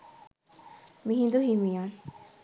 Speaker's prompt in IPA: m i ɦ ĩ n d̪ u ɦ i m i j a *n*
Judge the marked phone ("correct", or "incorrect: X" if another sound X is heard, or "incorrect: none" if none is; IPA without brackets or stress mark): correct